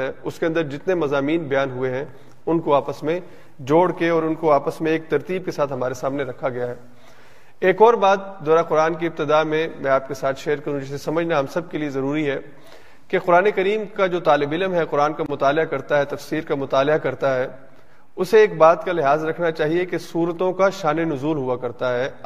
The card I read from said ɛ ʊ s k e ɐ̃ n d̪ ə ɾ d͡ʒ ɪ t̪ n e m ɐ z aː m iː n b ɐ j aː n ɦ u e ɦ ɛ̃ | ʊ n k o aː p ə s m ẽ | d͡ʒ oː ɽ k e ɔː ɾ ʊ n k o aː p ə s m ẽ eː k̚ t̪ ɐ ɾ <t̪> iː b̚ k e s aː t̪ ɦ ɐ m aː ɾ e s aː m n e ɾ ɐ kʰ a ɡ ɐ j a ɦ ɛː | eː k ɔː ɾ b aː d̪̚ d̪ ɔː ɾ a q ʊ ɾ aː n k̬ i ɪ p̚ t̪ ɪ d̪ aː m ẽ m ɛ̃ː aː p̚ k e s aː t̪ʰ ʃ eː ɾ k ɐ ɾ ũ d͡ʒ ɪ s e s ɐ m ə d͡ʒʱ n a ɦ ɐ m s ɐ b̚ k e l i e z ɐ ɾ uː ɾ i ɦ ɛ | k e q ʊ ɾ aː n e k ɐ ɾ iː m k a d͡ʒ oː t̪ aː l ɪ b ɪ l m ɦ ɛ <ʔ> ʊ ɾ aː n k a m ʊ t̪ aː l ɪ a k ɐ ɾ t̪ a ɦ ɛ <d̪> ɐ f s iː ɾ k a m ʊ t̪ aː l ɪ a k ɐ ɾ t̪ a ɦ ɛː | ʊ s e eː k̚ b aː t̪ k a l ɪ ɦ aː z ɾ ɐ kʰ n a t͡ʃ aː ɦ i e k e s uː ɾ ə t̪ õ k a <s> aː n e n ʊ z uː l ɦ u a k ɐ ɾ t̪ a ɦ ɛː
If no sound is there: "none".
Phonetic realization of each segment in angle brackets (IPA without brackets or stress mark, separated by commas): t̪, q, t̪, ʃ